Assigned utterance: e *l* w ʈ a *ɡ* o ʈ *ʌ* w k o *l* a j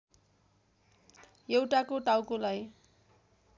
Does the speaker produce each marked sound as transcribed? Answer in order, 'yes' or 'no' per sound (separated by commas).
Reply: no, no, no, yes